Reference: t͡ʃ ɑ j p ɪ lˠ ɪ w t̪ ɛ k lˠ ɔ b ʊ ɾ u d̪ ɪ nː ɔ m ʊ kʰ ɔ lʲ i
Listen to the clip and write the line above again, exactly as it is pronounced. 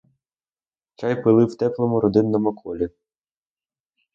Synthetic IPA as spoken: t͡ʃ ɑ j p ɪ lˠ ɪ w t̪ ɛ k lˠ ɔ m ʊ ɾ ɔ d̪ ɪ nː ɔ m ʊ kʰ ɔ lʲ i